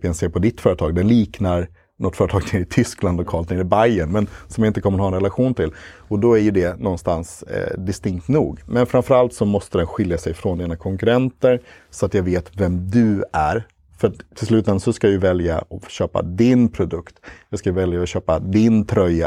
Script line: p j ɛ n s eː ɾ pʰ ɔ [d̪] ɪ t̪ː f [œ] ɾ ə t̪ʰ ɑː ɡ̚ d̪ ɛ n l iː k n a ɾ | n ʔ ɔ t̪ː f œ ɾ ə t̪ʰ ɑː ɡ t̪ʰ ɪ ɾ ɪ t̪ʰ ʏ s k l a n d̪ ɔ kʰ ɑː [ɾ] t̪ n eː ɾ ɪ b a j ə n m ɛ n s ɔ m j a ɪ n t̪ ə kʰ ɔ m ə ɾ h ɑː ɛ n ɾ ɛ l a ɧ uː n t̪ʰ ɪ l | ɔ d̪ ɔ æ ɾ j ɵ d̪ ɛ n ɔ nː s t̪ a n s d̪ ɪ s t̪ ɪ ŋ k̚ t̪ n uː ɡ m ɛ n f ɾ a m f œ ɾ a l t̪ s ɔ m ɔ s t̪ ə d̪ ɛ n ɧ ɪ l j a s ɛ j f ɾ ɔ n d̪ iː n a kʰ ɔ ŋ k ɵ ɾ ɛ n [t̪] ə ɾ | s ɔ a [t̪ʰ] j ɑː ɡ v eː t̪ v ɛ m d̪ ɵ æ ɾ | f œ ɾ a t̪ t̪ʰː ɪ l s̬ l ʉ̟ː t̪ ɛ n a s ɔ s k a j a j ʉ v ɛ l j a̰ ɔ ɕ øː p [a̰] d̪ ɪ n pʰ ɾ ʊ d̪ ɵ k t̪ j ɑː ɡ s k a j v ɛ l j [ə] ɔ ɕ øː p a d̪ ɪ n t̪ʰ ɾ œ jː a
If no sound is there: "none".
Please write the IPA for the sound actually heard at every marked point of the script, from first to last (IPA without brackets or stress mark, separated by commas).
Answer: d̪, œː, l, t̪, t̪, a̰, a